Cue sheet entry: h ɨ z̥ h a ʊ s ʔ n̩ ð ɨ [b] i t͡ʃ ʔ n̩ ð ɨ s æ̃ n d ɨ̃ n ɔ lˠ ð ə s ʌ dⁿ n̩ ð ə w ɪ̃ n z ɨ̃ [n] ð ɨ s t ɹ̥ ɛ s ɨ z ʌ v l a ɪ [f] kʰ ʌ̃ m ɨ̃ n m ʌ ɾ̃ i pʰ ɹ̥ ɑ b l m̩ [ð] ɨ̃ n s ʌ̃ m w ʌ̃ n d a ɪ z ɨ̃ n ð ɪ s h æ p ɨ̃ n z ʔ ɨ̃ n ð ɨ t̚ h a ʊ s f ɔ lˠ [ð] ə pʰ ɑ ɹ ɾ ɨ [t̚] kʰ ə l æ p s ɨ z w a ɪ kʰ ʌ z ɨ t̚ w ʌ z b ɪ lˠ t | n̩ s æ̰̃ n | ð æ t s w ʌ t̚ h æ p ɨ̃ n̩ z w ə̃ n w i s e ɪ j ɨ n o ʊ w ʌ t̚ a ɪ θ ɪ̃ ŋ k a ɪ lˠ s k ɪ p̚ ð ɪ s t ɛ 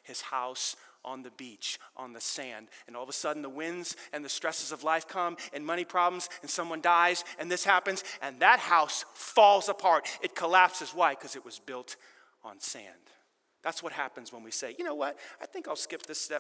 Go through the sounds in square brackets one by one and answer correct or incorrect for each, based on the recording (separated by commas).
correct, correct, correct, incorrect, incorrect, correct